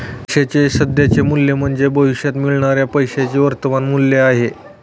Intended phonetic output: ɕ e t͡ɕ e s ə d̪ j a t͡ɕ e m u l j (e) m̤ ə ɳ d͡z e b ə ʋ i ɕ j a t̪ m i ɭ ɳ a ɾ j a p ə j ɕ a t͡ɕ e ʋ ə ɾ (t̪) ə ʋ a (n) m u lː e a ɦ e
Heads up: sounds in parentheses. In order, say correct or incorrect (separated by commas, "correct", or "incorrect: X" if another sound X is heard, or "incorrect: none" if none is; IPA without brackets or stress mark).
correct, correct, correct